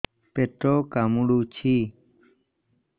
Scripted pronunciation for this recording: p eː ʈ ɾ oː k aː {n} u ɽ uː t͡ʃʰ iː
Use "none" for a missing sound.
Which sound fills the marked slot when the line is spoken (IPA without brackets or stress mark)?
m